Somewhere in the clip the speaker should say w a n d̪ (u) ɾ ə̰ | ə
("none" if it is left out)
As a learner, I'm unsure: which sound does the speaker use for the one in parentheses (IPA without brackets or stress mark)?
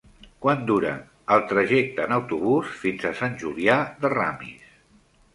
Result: u